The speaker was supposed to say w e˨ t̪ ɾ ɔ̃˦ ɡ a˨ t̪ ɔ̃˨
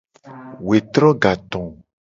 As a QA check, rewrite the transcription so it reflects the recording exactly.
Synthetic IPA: w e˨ t̪ ɾ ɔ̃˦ ɡ a˨ t̪ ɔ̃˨